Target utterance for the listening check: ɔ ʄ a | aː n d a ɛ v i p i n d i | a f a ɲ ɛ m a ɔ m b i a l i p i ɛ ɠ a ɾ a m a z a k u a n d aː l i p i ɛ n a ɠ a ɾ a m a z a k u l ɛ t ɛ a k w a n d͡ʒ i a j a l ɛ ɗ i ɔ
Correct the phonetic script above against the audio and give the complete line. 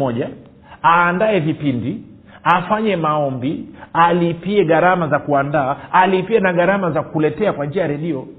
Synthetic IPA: ɔ ʄ a | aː n d a ɛ v i p i n d i | a f a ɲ ɛ m a ɔ m b i a l i p i ɛ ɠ a ɾ a m a z a k u a n d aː l i p i ɛ n a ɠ a ɾ a m a z a k u l ɛ t ɛ a k w a n d͡ʒ i a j a ɾ ɛ ɗ i ɔ